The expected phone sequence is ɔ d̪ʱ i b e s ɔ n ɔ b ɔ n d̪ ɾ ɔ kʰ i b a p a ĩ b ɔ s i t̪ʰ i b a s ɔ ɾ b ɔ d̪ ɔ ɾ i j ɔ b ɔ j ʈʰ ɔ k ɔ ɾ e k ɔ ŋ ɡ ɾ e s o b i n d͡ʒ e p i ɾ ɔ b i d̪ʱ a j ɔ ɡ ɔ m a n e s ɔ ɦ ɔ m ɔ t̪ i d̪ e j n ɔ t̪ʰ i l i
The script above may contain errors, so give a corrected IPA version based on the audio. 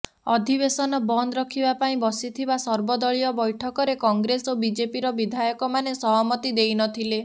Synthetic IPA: ɔ d̪ʱ i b e s ɔ n ɔ b ɔ n d̪ ɾ ɔ kʰ i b a p a ĩ b ɔ s i t̪ʰ i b a s ɔ ɾ b ɔ d̪ ɔ ɭ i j ɔ b ɔ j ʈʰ ɔ k ɔ ɾ e k ɔ ŋ ɡ ɾ e s o b i d͡ʒ e p i ɾ ɔ b i d̪ʱ a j ɔ k ɔ m a n e s ɔ ɦ ɔ m ɔ t̪ i d̪ e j n ɔ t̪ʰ i l e